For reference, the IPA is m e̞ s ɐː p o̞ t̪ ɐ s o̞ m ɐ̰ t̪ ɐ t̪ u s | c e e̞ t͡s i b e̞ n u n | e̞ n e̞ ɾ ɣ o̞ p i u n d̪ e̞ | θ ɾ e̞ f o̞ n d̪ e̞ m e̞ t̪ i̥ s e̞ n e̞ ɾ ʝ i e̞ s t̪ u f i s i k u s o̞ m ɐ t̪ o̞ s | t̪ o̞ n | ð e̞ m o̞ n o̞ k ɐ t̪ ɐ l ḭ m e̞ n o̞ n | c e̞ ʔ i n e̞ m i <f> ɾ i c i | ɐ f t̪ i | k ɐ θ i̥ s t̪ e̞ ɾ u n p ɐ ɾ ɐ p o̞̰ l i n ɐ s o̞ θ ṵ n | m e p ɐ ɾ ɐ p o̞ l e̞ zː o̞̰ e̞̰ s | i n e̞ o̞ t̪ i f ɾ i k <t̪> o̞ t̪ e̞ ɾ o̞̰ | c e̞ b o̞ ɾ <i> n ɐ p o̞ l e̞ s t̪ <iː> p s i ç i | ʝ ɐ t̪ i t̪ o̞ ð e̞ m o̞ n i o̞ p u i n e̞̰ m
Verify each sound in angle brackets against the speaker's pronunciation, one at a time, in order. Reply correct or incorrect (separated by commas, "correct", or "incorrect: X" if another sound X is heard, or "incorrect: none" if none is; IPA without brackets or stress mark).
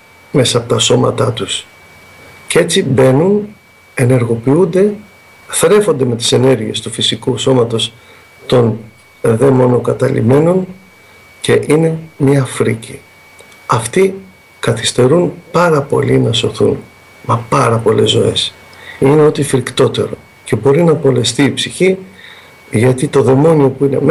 correct, correct, correct, correct